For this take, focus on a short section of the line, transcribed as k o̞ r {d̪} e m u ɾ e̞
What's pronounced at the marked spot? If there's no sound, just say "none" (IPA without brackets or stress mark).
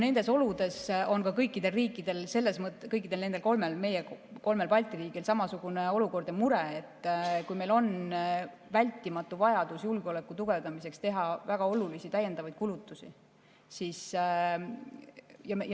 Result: d̪